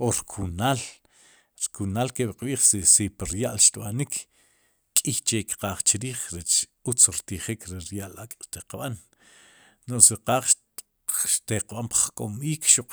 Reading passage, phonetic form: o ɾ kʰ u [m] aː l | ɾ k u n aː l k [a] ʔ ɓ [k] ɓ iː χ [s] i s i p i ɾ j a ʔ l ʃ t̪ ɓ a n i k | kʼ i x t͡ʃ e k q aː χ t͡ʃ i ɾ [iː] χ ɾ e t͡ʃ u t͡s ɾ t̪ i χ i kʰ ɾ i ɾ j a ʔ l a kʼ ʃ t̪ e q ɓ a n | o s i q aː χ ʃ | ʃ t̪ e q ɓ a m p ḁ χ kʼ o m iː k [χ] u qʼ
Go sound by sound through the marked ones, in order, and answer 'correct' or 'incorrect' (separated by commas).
incorrect, incorrect, incorrect, correct, correct, incorrect